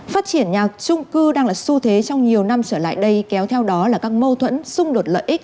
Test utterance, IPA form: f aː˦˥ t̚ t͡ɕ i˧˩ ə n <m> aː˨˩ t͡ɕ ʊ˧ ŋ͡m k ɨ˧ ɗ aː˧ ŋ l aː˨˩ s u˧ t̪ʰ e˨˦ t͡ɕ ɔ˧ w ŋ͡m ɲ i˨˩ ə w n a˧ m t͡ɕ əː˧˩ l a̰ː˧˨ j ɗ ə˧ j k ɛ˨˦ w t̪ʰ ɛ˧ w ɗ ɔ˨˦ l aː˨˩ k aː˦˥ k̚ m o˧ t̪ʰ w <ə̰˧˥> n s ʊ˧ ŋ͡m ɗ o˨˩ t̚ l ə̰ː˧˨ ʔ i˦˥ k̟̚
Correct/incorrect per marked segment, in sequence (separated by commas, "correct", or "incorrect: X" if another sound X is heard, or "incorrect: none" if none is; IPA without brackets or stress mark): incorrect: ɲ, correct